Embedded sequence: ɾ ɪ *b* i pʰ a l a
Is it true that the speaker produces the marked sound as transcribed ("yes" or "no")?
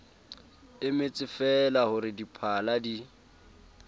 no